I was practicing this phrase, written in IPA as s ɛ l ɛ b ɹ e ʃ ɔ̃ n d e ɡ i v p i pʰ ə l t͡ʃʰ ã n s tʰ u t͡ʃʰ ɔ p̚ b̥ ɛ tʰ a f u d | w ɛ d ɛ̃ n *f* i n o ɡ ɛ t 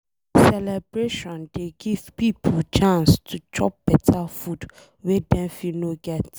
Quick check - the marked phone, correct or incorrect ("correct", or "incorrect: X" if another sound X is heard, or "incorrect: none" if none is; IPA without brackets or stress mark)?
correct